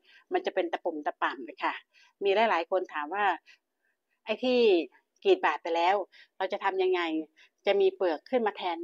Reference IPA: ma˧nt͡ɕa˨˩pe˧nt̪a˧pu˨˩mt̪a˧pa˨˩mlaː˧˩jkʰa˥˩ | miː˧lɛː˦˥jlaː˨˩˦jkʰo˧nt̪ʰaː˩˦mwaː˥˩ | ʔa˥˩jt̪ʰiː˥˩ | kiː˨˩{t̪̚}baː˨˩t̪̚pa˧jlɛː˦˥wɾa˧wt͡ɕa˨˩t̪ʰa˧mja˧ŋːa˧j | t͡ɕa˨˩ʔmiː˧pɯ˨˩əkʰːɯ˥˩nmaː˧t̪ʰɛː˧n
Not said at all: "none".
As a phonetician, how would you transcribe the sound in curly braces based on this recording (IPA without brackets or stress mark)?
t̪̚